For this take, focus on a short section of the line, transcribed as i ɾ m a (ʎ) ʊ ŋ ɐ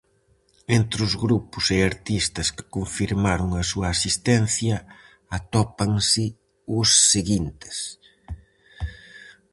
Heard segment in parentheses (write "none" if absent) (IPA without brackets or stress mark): ɾ